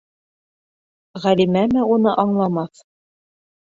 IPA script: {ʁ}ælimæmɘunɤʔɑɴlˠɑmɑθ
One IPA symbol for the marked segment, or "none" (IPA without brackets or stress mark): ʁ